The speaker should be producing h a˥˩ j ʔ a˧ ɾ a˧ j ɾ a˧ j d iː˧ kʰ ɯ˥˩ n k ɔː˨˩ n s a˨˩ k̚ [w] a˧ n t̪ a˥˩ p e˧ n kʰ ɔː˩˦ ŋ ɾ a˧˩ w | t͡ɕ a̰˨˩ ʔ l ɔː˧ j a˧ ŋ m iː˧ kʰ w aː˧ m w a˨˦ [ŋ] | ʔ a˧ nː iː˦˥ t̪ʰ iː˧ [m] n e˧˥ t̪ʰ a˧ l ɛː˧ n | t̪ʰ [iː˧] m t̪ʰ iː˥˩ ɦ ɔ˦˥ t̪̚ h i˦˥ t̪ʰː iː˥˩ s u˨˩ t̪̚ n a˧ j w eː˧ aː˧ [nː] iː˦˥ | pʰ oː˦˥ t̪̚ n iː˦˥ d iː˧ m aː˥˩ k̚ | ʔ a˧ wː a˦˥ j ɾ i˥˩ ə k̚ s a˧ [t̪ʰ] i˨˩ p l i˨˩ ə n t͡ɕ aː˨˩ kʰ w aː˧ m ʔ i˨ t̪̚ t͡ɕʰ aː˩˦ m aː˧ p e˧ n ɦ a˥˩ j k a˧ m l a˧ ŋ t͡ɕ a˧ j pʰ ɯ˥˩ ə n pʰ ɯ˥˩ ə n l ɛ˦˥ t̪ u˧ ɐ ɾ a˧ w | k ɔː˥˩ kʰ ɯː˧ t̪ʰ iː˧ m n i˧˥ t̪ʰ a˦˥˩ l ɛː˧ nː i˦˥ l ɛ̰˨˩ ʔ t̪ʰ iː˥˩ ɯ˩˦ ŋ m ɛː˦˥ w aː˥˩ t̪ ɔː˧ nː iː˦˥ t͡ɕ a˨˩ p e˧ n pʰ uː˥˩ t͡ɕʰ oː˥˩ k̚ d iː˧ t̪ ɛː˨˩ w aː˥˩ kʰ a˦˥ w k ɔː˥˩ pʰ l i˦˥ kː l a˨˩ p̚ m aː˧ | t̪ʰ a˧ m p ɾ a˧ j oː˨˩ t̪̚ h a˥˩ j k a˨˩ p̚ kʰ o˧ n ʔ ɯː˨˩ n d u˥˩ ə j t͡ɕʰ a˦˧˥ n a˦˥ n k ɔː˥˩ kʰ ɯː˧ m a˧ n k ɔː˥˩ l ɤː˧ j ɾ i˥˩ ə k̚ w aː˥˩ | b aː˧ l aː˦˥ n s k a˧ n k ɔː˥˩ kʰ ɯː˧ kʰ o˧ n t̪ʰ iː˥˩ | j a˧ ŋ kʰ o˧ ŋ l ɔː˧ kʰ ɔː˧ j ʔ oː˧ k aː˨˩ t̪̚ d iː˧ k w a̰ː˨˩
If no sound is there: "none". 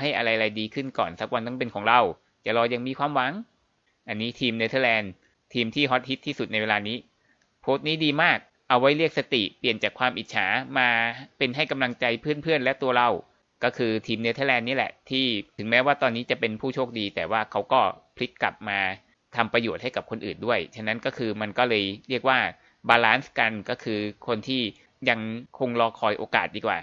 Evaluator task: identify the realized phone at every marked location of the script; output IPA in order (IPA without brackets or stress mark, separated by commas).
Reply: w, ŋ, m, iː˧, n, t̪